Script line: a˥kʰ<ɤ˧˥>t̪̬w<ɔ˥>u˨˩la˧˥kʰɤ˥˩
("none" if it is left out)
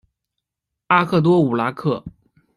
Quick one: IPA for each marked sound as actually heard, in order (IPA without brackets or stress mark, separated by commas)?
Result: ɤ˥˩, ɔ˥